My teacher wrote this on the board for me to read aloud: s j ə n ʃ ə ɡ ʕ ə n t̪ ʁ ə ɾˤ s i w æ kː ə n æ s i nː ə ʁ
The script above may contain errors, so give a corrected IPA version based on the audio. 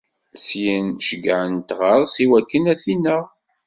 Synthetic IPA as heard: s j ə n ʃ ə ɡ ʕ ə n t̪ ʁ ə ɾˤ s i w æ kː ə n æ θ i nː ə ʁ